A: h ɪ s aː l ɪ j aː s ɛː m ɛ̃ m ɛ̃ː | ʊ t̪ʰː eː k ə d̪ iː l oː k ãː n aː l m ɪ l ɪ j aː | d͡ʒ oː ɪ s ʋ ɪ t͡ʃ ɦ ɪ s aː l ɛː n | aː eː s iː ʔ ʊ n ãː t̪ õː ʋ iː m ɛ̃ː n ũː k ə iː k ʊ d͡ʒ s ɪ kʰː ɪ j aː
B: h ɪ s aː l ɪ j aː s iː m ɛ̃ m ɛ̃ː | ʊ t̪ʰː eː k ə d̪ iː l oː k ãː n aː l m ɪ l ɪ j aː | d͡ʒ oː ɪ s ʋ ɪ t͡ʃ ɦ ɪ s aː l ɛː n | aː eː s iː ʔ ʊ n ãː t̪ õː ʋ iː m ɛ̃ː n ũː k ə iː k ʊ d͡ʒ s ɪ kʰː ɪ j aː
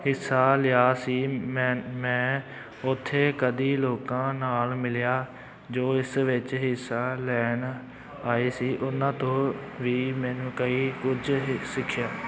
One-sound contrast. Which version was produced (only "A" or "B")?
B